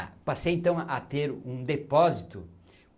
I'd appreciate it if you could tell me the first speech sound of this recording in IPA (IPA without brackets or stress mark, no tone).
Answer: p